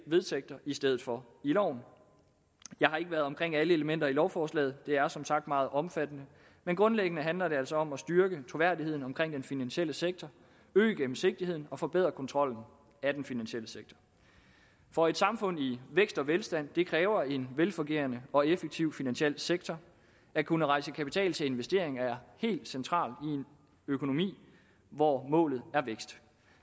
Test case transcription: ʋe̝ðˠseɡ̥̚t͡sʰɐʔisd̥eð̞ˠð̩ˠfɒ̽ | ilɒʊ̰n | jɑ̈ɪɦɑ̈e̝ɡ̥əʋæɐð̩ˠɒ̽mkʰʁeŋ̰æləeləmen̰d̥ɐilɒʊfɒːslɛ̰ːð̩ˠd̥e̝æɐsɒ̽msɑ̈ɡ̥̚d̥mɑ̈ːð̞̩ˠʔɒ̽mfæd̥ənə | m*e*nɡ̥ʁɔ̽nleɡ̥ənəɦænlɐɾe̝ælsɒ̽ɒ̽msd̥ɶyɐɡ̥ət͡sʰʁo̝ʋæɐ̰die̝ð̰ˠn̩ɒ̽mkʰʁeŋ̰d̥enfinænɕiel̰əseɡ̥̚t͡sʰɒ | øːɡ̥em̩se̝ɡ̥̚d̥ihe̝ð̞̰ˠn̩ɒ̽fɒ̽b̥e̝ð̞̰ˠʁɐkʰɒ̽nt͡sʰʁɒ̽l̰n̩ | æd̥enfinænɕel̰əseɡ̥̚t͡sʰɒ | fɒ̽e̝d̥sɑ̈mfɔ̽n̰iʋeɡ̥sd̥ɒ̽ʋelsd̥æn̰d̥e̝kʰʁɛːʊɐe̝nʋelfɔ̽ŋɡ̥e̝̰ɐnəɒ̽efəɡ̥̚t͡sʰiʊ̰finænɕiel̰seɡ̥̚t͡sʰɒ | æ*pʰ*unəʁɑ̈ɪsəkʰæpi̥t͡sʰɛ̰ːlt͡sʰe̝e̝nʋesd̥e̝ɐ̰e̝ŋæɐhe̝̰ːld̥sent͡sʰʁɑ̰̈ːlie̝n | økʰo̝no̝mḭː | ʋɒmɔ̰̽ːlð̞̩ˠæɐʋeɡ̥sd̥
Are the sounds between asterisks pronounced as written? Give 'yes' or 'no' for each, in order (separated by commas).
yes, no